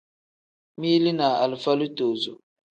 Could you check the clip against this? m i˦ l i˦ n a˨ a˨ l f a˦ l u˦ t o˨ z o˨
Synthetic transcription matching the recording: m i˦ l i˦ n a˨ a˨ l f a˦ l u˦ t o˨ z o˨